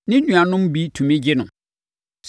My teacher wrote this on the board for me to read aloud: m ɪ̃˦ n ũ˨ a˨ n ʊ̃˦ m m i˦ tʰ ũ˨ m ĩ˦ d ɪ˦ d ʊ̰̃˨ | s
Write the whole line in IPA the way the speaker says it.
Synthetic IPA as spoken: n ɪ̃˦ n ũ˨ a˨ n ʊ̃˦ m b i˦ tʰ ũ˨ m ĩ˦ d͡ʑ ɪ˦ n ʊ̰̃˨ | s